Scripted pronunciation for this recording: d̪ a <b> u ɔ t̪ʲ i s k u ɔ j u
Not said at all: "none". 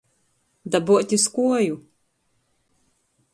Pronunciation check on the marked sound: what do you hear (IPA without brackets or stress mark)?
b